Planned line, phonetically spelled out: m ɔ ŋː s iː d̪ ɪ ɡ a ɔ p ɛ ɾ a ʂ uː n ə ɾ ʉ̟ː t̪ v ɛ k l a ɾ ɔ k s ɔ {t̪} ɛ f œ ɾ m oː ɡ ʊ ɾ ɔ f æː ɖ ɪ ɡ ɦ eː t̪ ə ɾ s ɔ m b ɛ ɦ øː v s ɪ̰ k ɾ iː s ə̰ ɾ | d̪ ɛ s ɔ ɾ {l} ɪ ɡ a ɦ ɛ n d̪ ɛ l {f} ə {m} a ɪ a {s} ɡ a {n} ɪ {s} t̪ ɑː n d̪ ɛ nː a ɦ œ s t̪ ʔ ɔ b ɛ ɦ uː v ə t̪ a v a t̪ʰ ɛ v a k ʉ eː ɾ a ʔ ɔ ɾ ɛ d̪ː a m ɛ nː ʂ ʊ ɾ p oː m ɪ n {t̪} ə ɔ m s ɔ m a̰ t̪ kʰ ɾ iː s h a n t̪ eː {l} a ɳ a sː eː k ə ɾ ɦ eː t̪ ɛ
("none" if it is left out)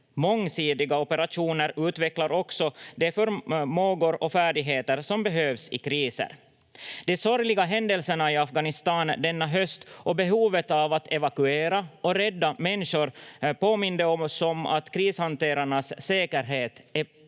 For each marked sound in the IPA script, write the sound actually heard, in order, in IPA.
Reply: d̪, l, s, ɳ, f, n, s, d̪, ɾ

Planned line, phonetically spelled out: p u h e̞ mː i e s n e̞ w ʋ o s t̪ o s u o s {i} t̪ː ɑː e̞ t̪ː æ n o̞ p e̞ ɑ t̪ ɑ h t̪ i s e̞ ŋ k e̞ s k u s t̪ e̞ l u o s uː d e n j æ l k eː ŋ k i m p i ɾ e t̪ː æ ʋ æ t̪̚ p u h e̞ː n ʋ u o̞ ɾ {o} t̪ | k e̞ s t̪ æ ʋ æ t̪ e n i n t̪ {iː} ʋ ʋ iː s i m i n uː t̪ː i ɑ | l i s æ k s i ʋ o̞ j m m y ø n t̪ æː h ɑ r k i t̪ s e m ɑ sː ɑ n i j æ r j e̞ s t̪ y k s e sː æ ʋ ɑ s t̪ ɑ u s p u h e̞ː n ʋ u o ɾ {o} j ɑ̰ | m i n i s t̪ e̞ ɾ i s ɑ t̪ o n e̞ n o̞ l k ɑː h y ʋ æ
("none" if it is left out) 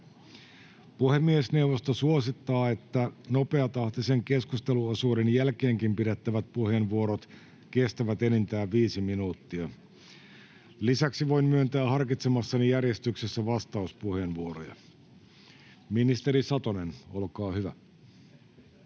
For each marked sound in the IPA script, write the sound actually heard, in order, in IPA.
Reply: i, o, æː, o

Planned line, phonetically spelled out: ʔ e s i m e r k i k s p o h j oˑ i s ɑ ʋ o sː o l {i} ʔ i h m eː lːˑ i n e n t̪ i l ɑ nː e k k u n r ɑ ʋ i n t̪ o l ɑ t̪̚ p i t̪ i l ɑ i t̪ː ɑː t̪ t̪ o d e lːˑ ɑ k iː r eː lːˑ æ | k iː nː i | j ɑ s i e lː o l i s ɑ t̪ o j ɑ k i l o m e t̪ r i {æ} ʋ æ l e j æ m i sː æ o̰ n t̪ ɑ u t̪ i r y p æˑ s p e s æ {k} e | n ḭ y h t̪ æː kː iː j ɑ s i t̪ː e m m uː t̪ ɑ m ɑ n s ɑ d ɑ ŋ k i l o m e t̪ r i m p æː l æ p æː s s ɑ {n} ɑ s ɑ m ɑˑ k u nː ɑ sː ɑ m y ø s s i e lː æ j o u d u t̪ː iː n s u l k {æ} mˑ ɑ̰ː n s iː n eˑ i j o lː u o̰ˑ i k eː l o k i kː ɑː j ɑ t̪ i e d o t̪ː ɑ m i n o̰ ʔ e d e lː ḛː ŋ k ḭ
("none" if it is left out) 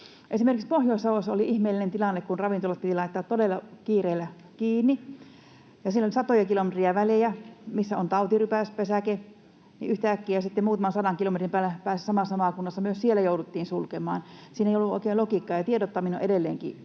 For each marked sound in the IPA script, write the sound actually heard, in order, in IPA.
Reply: i, æ, k, m, e

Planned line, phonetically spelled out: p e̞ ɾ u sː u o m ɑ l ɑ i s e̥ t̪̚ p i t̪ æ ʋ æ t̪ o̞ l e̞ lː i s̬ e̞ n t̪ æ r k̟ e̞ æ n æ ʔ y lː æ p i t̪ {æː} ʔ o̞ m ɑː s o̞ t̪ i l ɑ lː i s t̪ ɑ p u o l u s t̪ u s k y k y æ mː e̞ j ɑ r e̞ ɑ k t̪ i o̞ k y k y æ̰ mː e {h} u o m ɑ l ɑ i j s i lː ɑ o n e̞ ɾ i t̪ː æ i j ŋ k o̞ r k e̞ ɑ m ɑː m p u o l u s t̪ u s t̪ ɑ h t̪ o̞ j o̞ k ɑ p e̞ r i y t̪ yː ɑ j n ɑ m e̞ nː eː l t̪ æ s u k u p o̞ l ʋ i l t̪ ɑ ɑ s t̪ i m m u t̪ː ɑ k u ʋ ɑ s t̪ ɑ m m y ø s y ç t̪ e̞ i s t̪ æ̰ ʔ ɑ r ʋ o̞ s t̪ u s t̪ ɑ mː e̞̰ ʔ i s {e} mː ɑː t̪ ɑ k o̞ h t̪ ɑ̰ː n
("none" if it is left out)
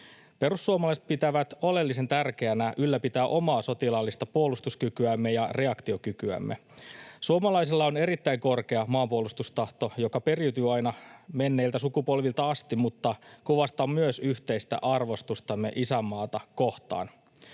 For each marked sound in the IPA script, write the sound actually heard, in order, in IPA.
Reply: æː, s, æ

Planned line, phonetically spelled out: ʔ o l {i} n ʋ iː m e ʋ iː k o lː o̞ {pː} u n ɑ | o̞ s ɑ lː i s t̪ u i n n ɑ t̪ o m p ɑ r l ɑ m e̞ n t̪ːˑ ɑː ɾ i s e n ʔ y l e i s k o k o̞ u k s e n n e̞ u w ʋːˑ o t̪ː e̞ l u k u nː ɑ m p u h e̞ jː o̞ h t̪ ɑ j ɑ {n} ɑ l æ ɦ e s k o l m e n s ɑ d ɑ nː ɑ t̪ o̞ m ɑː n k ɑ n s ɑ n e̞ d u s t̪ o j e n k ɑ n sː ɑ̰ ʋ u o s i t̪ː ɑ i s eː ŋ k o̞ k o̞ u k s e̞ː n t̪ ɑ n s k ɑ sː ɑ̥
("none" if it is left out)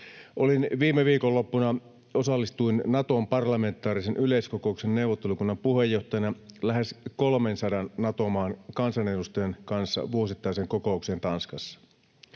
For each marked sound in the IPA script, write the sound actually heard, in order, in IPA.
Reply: i, pː, n

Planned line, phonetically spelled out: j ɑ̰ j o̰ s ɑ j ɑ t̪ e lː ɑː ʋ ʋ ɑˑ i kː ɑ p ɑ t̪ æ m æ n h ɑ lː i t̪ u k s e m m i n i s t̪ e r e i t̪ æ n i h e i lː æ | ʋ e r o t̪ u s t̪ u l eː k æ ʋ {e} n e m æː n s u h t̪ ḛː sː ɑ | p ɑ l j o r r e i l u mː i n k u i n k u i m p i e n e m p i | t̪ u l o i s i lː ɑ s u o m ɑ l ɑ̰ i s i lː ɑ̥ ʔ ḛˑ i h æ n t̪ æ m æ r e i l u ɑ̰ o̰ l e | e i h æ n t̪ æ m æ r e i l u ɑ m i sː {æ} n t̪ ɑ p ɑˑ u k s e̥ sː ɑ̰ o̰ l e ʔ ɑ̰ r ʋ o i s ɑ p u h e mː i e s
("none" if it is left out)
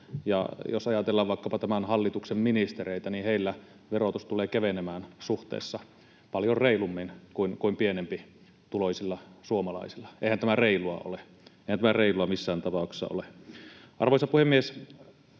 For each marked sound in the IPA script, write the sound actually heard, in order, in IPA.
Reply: e, æː

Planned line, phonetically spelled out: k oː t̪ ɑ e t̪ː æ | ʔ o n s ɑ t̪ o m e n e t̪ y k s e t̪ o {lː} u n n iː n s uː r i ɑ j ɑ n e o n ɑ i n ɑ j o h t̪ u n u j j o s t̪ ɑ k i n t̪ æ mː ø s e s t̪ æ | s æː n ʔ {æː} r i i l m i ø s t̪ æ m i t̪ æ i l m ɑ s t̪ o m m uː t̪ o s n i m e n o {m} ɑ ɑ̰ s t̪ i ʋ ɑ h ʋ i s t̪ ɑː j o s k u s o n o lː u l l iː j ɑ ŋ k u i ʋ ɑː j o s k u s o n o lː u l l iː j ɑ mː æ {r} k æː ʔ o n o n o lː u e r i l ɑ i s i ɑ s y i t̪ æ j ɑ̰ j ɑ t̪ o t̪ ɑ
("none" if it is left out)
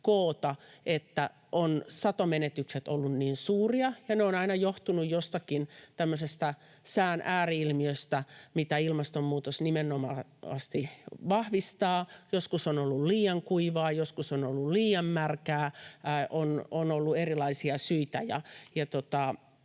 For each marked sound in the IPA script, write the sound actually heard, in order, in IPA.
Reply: lː, æː, m, r

